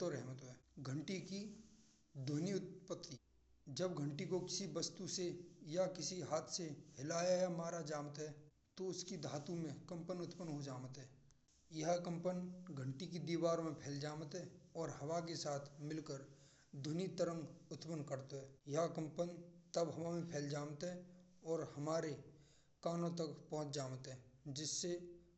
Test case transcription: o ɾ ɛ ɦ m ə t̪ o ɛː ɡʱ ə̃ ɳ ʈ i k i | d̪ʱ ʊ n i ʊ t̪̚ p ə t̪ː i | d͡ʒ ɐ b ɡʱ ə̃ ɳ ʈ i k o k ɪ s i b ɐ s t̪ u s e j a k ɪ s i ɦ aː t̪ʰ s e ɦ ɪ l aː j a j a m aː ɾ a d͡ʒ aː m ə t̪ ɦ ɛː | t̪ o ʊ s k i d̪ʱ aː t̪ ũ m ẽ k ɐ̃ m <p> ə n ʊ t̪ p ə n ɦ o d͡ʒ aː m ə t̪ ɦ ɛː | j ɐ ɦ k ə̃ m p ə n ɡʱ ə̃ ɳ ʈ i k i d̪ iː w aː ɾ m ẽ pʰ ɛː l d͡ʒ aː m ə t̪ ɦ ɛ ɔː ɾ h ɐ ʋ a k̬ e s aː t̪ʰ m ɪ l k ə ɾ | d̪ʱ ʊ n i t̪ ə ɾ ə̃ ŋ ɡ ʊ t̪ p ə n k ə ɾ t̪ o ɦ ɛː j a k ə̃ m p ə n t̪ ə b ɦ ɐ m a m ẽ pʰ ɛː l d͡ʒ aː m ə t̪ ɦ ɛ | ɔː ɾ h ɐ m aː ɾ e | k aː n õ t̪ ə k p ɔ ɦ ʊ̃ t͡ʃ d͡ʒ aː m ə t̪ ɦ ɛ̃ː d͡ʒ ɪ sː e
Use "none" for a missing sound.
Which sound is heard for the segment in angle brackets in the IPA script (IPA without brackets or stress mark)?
p